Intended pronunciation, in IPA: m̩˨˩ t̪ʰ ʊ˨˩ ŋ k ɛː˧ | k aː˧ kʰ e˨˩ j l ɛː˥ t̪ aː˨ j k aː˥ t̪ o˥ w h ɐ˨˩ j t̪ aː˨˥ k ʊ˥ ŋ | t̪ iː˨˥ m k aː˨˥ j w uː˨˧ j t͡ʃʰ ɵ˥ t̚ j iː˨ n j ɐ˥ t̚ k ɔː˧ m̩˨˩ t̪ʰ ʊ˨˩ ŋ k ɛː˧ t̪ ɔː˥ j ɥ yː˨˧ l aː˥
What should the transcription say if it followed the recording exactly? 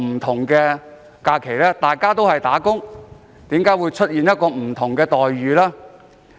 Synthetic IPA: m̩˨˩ t̪ʰ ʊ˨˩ ŋ k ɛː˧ | k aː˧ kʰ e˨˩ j l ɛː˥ t̪ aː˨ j k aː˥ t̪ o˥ w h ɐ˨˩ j t̪ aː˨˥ k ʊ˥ ŋ | t̪ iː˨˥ m k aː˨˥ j w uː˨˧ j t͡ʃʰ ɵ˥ t̚ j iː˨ n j ɐ˥ t̚ k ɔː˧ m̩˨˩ t̪ʰ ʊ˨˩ ŋ k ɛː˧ t̪ ɔː˨ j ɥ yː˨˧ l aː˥